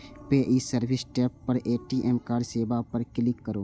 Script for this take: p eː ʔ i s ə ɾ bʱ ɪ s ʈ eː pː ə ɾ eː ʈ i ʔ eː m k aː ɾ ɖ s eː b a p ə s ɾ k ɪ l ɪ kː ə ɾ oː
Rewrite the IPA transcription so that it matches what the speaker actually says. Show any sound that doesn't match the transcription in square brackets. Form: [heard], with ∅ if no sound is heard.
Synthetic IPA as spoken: p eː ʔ i s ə ɾ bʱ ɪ s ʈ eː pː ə ɾ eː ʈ i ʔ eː m k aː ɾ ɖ s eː b a p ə [∅] ɾ k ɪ l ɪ kː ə ɾ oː